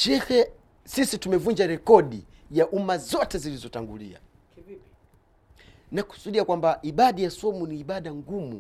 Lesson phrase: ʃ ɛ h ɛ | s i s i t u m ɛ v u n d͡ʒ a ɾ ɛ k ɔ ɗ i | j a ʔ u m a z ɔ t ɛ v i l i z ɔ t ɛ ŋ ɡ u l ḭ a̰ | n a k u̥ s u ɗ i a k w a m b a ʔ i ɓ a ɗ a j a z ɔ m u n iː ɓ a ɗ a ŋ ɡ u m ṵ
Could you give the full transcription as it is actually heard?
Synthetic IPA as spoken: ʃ ɛ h ɛ | s i s i t u m ɛ v u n d͡ʒ a ɾ ɛ k ɔ ɗ i | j a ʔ u m a z ɔ t ɛ z i l i z ɔ t a ŋ ɡ u l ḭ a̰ | n a k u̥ s u ɗ i a k w a m b a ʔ i ɓ a ɗ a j a s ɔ m u n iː ɓ a ɗ a ŋ ɡ u m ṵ